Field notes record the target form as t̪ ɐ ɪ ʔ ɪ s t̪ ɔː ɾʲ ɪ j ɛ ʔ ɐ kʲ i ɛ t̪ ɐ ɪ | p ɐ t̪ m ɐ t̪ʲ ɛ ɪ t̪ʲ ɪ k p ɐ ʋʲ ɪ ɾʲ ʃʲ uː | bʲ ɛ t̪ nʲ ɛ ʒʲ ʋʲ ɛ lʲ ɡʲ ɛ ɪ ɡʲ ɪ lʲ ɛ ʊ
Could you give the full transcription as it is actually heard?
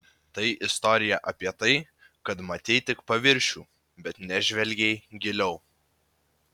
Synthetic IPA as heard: t̪ ɐ ɪ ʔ ɪ s t̪ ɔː ɾʲ ɪ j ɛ ʔ ɐ pʲ i ɛ t̪ ɐ ɪ | k ɐ t̪ m ɐ t̪ʲ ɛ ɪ t̪ʲ ɪ k p ɐ ʋʲ ɪ ɾʲ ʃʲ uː | bʲ ɛ t̪ nʲ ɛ ʒʲ ʋʲ ɛ lʲ ɡʲ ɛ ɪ ɡʲ ɪ lʲ ɛ ʊ